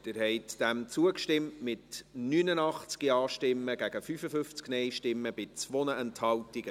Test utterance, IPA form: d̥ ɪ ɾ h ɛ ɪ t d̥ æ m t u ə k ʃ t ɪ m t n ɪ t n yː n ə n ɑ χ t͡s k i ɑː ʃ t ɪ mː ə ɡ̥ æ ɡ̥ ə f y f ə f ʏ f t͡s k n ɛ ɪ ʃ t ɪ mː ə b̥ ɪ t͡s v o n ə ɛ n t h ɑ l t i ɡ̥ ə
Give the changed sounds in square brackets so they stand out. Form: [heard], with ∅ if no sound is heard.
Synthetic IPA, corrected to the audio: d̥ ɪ ɾ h ɛ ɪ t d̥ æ m [t͡s] u ə k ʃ t ɪ m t [m] ɪ t n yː n ə n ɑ χ t͡s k i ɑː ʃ t ɪ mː ə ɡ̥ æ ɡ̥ ə f y f ə f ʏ f t͡s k n ɛ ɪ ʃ t ɪ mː ə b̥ ɪ t͡s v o n ə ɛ n t h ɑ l t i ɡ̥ ə